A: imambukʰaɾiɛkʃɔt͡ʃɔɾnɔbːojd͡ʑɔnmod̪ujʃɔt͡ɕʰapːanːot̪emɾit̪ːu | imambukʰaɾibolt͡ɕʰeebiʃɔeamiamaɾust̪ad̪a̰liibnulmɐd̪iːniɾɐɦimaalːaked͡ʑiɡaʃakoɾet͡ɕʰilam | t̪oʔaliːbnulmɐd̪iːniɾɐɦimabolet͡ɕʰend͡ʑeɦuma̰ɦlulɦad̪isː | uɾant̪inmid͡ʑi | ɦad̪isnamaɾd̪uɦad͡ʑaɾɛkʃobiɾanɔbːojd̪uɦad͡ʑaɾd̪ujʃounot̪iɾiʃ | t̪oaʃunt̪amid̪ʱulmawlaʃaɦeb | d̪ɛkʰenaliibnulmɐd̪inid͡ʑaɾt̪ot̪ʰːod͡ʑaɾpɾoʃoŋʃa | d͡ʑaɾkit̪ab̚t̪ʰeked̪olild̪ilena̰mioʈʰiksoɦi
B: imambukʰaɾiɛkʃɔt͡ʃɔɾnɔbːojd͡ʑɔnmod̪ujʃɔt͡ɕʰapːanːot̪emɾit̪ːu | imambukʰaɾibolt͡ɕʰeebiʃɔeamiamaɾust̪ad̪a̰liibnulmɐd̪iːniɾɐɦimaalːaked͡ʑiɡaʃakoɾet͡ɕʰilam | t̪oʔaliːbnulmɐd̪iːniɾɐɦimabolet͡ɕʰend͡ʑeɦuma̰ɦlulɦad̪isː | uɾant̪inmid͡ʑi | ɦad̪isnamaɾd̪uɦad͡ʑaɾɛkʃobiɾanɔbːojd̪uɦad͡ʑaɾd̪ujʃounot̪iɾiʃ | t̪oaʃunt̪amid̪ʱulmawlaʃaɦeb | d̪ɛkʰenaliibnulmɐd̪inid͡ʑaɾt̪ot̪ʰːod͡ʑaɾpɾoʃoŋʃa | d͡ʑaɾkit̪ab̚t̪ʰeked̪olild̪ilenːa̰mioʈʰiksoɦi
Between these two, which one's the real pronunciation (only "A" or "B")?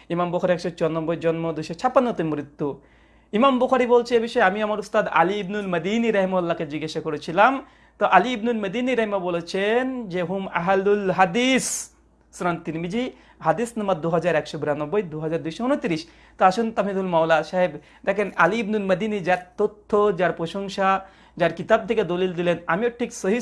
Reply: A